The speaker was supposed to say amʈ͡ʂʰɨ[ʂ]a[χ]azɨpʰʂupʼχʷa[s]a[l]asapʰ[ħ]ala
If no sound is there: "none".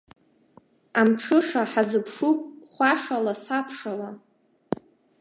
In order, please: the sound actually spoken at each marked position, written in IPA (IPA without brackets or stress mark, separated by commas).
ʂ, ħ, ʂ, l, ʂ